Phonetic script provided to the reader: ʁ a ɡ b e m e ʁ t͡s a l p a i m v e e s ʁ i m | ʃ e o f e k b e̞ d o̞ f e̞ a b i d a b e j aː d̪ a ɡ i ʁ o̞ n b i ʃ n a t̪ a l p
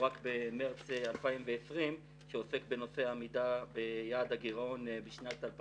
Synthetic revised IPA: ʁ a k b e m e ʁ t͡s a l p a i m v e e s ʁ i m | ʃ e o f e k b e̞ n o̞ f e̞ a m i d a b e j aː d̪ a ɡ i ʁ o̞ n b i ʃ n a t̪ a l p